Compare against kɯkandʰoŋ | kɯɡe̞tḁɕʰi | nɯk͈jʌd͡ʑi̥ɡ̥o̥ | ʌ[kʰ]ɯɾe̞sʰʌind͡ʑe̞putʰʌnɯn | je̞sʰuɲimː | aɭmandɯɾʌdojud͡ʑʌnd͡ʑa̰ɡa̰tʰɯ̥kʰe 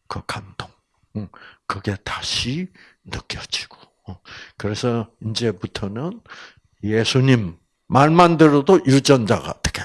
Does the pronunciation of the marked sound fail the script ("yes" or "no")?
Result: yes